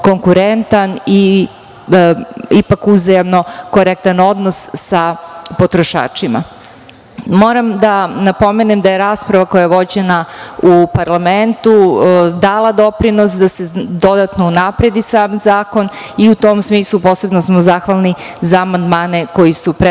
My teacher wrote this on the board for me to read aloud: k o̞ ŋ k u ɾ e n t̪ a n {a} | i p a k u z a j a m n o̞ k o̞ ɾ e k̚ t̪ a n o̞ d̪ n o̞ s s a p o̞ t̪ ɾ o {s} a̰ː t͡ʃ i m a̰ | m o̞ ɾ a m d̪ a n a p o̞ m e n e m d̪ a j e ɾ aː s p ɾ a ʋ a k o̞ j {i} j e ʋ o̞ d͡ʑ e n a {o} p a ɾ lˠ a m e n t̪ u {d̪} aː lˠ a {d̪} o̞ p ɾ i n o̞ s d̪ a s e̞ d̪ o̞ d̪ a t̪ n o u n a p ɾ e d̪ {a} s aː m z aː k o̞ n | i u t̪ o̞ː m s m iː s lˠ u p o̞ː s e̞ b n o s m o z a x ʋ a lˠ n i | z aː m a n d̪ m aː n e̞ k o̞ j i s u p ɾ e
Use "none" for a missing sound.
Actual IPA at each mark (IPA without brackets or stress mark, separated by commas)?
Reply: i, ʃ, a, u, d̪, d̪, i